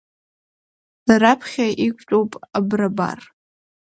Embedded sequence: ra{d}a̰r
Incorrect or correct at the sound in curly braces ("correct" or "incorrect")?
incorrect